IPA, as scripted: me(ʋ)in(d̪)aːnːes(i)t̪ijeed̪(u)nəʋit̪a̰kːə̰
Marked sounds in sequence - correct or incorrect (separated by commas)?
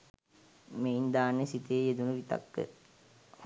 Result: incorrect, correct, correct, correct